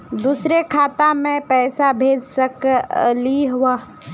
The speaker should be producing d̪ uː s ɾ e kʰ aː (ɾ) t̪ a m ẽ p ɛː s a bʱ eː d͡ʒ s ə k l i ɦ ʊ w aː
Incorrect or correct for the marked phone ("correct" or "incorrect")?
incorrect